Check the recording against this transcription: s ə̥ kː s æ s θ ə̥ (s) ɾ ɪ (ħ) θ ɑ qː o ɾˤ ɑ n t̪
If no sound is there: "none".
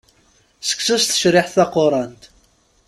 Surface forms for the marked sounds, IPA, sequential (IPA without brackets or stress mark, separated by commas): ʃ, ħ